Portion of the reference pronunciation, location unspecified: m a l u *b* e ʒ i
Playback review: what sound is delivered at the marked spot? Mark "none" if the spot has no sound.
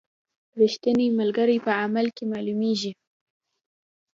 m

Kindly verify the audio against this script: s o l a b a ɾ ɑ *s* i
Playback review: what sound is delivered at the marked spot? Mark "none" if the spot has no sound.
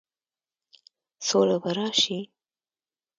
ʃ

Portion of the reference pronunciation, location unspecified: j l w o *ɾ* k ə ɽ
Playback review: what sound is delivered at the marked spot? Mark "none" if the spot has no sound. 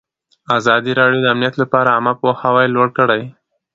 ɽ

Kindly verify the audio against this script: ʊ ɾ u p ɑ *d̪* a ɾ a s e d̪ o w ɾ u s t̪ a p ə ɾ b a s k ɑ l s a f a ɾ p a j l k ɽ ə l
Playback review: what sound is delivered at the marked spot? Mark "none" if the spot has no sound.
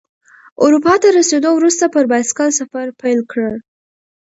t̪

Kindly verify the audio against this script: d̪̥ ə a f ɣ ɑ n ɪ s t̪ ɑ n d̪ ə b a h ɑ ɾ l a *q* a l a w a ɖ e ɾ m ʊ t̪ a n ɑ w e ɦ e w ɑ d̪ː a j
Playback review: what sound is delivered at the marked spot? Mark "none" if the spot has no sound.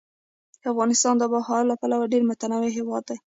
p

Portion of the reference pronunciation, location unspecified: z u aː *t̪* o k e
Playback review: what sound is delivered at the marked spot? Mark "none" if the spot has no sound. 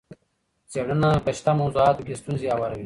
t̪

